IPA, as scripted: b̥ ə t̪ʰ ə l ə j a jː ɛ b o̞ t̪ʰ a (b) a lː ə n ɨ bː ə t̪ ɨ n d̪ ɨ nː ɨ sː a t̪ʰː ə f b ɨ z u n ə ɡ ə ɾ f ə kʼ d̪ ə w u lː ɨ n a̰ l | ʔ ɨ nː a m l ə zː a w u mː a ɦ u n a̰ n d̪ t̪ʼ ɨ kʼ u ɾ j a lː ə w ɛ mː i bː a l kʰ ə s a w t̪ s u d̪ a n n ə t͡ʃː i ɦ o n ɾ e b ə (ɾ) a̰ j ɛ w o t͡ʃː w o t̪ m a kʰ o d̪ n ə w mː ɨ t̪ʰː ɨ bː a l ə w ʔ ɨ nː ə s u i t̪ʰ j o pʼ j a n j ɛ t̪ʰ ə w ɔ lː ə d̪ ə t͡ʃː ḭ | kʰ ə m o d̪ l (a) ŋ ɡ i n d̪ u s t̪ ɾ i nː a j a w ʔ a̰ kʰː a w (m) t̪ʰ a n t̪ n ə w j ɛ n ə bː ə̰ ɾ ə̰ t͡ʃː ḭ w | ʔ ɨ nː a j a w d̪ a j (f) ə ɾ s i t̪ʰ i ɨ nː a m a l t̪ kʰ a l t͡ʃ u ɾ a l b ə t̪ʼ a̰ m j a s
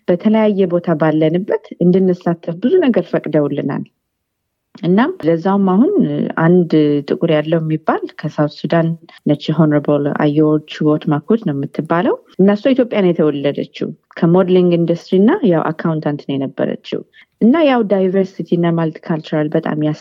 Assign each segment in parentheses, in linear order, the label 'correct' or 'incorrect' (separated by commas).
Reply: correct, incorrect, incorrect, incorrect, incorrect